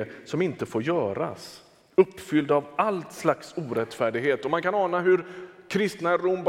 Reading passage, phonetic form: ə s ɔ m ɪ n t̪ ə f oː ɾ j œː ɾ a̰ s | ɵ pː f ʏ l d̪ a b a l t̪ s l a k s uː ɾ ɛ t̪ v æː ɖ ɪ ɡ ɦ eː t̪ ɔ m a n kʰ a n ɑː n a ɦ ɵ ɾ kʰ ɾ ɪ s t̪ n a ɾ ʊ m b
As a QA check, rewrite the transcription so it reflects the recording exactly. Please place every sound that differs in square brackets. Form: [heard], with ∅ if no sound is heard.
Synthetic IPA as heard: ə s ɔ m ɪ n t̪ ə f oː ɾ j œː ɾ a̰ s | ɵ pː f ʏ l d̪ a [v] a l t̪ s l a k s uː ɾ ɛ t̪ [f] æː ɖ ɪ ɡ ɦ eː t̪ ɔ m a n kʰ a n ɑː n a ɦ ɵ ɾ kʰ ɾ ɪ s t̪ n a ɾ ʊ m b